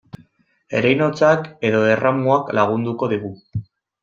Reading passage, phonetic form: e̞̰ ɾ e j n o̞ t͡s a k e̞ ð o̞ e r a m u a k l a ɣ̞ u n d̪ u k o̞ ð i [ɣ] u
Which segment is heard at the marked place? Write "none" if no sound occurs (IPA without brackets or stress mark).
ɣ